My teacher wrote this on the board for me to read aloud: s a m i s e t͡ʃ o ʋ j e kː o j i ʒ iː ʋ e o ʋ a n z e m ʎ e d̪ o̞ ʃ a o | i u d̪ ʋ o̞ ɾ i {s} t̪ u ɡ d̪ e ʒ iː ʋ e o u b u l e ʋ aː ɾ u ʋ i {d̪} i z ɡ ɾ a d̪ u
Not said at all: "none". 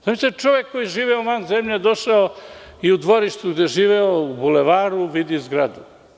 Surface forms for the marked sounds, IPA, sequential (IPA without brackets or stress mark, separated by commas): ʃ, d̪